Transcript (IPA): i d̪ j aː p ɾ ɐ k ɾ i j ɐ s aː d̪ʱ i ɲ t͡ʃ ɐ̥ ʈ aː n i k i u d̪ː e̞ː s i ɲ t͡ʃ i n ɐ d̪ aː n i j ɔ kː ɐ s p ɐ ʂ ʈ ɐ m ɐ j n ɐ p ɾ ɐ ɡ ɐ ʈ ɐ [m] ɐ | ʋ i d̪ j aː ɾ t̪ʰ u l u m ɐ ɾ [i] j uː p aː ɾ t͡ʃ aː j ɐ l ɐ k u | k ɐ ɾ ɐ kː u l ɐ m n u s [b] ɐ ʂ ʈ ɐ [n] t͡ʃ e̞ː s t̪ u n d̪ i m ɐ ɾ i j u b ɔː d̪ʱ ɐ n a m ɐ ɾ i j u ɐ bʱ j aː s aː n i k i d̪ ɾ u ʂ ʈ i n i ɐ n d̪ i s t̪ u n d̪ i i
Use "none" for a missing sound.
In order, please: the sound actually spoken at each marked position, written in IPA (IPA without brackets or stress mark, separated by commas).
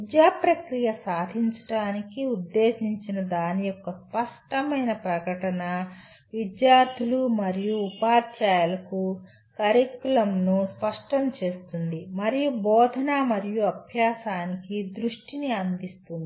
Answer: n, i, p, m